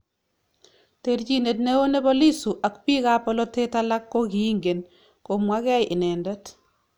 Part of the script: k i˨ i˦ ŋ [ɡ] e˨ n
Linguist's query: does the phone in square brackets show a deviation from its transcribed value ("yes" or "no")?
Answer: no